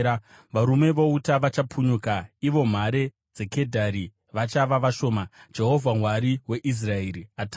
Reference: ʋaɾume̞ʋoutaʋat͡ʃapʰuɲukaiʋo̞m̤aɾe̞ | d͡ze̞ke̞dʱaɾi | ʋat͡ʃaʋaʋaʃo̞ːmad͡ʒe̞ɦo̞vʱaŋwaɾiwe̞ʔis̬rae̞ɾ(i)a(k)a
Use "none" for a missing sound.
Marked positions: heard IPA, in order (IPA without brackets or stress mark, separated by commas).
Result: i, t